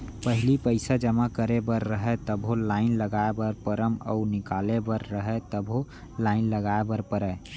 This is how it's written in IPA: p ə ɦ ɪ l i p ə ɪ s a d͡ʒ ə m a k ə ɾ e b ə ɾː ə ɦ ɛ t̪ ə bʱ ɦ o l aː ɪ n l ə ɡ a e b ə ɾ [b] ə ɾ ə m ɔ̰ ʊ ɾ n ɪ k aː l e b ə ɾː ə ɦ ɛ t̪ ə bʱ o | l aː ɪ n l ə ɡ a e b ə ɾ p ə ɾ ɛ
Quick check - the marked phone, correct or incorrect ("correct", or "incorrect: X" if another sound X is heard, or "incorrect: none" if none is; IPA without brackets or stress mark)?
incorrect: p